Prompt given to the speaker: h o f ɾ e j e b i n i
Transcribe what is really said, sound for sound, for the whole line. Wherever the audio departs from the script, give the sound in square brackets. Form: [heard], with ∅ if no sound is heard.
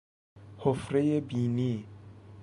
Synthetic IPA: h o f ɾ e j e b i n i